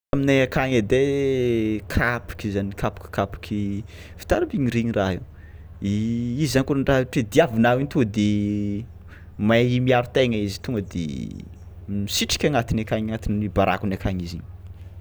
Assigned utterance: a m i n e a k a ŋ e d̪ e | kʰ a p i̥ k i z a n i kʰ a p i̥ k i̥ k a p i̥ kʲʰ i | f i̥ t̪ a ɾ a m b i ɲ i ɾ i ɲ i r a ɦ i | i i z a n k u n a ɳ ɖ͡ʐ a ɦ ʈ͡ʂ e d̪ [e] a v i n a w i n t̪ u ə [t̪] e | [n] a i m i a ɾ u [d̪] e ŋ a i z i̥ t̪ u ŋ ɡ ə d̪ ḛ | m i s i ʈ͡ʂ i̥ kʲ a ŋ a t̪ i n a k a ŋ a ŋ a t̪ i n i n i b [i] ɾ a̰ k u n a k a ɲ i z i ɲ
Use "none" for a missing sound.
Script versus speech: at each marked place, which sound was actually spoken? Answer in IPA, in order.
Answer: i, d̪, m, t̪, a

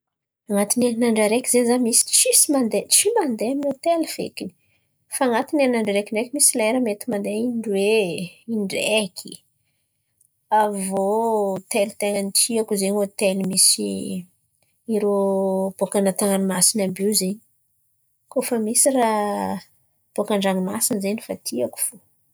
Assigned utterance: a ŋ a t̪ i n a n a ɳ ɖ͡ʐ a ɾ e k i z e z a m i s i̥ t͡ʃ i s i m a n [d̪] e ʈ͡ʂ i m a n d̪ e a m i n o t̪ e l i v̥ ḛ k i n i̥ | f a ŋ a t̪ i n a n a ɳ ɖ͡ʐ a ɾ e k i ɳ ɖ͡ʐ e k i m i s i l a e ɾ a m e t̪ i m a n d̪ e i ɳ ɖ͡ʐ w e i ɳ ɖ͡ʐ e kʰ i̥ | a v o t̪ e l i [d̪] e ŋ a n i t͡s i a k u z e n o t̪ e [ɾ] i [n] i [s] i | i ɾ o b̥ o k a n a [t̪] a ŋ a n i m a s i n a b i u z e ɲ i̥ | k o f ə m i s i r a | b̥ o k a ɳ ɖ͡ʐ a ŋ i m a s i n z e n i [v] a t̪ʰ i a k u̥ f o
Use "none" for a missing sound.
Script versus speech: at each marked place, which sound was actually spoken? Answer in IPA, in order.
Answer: d̪, t̪, l, m, s, t̪, f

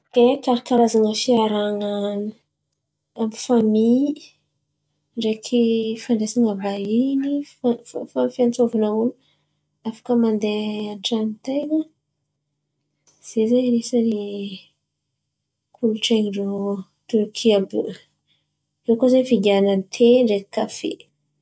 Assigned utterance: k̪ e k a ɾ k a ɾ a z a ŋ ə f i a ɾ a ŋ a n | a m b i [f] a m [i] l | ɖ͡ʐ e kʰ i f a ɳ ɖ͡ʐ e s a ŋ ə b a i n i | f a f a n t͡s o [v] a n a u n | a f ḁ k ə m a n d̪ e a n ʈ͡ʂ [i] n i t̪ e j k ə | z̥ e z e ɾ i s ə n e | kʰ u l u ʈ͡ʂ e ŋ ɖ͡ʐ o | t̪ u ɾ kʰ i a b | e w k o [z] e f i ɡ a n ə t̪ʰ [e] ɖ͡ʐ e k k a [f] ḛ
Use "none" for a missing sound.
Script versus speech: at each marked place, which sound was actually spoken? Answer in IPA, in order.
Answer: f, i, v, a, z, e, f

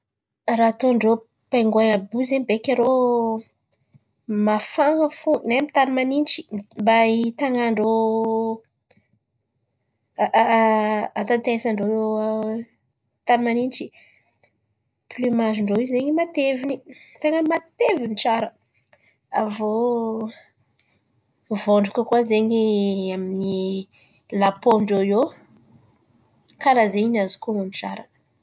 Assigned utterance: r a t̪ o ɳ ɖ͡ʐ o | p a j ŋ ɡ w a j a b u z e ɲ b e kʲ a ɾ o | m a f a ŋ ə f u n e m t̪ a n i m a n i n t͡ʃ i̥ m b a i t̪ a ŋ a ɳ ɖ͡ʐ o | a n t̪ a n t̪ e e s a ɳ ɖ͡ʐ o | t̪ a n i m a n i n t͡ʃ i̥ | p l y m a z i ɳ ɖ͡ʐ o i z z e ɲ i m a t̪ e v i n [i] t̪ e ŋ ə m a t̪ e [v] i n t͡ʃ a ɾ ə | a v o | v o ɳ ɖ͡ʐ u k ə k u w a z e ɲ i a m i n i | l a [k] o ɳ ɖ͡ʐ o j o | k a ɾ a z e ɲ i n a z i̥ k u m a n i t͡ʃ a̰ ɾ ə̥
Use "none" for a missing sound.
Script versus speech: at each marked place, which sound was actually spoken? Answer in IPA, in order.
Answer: i, v, p

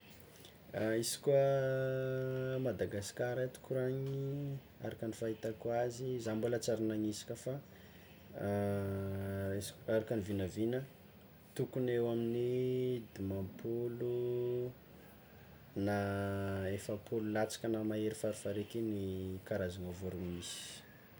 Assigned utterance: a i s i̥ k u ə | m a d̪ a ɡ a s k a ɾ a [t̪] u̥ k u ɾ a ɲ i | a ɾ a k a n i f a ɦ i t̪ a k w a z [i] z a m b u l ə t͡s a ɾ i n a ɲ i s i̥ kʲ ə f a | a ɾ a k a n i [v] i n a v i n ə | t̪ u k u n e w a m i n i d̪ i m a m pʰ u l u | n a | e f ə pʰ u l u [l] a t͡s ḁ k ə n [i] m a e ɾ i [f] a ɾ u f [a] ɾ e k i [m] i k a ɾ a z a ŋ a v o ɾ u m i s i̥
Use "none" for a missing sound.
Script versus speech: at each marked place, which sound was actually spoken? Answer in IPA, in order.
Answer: t̪, i, v, l, a, f, a, n

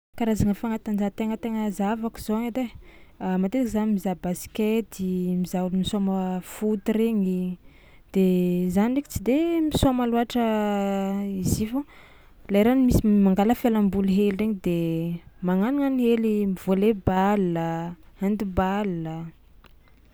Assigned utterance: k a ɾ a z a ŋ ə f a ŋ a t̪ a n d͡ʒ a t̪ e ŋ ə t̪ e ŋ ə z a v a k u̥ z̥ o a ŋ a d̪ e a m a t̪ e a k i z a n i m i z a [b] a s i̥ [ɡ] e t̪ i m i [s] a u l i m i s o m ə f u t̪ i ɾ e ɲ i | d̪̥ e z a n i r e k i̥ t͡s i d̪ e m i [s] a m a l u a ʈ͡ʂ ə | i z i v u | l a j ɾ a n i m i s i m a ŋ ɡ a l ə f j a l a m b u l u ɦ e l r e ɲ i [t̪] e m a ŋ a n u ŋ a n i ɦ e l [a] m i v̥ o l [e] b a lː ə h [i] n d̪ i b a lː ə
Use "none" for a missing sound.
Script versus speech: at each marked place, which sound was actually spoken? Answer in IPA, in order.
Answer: b, k, z, s, d̪, i, e, a

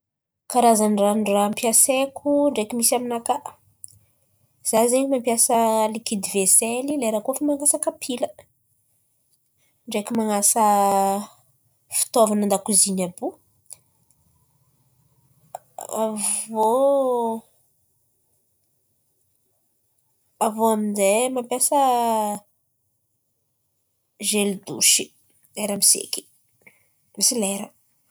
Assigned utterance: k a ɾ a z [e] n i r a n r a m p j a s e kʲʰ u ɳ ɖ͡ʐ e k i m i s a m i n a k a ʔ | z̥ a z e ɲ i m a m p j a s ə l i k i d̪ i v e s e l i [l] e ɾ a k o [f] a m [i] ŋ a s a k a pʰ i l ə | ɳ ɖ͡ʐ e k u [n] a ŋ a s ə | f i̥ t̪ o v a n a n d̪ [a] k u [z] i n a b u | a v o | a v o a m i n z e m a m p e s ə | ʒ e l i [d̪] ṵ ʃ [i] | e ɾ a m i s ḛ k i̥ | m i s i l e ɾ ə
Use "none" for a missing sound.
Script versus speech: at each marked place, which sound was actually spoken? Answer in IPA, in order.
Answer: a, l, f, a, m, a, z, d̪, i

